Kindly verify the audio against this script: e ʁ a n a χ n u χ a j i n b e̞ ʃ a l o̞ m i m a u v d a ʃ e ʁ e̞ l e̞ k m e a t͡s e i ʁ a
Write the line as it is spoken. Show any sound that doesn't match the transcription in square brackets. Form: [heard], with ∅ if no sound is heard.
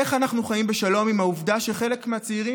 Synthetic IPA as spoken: e [χ] a n a χ n u χ a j i [m] b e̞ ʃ a l o̞ m i m a u v d a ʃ e [χ] e̞ l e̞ k m e a t͡s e i ʁ [i]